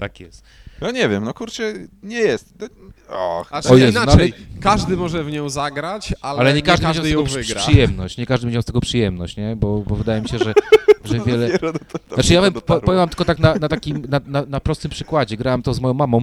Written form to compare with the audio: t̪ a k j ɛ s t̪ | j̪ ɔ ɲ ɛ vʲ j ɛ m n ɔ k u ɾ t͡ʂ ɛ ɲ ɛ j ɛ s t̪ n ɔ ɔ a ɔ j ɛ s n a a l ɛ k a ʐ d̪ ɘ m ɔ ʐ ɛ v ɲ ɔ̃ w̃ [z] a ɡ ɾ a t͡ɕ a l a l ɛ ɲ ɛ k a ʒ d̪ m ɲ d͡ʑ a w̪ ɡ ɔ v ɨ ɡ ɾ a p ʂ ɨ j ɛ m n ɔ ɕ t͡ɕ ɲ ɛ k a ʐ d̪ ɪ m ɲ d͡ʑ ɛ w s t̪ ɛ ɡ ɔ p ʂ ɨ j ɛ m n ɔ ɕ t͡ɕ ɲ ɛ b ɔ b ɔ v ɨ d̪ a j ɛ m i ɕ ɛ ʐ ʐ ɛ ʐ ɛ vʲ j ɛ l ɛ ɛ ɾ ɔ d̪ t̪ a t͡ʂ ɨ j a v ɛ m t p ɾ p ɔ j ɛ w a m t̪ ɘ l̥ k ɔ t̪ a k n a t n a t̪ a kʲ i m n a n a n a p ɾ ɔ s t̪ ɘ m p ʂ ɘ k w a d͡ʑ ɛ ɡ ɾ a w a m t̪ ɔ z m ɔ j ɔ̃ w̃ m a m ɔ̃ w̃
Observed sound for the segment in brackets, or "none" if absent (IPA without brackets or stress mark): z